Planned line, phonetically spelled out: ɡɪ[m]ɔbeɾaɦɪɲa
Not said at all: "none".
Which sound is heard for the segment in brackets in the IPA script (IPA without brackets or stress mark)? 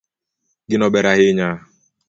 n